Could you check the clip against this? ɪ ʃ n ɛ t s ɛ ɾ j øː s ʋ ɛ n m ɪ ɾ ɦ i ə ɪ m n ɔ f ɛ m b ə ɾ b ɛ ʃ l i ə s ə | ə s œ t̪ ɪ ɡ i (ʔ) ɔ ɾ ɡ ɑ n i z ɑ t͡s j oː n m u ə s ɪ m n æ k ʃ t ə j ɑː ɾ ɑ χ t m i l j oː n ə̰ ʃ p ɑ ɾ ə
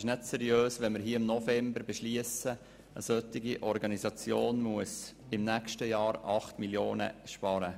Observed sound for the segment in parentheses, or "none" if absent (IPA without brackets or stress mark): ʔ